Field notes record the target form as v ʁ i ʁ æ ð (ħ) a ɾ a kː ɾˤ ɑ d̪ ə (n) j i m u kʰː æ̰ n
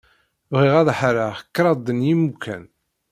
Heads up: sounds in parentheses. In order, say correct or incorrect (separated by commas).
correct, correct